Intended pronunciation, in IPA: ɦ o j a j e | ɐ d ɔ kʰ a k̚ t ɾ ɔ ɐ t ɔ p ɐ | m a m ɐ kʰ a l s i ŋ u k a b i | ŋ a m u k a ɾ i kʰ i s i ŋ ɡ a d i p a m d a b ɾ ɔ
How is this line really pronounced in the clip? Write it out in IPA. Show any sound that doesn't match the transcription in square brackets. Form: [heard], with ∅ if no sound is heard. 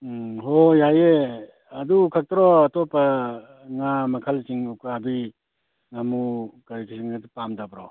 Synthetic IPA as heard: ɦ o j a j e | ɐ d [u] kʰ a k̚ t ɾ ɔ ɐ t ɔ p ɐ | [ŋ] a m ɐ kʰ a l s i ŋ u k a b i | ŋ a m u k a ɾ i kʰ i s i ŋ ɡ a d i p a m d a b ɾ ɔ